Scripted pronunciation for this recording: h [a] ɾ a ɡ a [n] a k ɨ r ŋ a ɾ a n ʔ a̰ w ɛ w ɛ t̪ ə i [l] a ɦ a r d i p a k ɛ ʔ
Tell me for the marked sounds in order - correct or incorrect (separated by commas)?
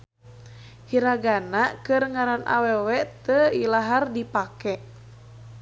incorrect, correct, correct